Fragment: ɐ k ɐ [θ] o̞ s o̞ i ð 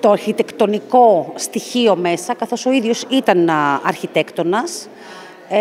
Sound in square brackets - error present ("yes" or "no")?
no